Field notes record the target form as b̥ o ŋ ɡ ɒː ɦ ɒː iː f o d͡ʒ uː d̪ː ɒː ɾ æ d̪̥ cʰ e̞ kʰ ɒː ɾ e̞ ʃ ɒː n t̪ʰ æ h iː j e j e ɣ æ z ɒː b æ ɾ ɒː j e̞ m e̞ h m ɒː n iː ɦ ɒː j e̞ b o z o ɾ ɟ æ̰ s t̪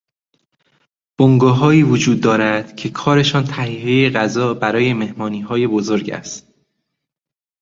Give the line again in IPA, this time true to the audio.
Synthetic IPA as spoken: b̥ o ŋ ɡ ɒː ɦ ɒː iː v o d͡ʒ uː d̪ː ɒː ɾ æ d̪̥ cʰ e̞ kʰ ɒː ɾ e̞ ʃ ɒː n t̪ʰ æ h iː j e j e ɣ æ z ɒː b æ ɾ ɒː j e̞ m e̞ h m ɒː n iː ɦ ɒː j e̞ b o z o ɾ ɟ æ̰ s t̪